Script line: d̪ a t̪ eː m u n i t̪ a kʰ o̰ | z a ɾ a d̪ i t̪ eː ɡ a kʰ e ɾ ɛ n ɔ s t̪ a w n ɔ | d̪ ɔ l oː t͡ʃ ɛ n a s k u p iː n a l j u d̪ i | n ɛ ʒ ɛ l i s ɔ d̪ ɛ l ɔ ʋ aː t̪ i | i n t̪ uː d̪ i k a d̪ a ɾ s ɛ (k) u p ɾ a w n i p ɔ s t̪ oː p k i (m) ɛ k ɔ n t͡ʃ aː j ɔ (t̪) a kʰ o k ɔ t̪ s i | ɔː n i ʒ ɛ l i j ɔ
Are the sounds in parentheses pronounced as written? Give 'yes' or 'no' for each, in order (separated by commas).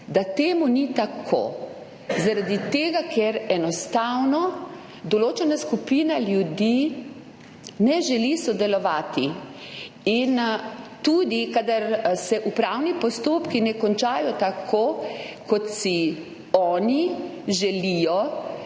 no, no, yes